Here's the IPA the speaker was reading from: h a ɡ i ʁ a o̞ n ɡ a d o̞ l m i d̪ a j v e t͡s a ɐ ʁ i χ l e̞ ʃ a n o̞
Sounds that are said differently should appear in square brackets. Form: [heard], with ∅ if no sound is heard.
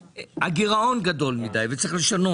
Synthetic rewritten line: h a ɡ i ʁ a o̞ n ɡ a d o̞ l m i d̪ a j v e t͡s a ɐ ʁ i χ l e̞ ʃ a n o̞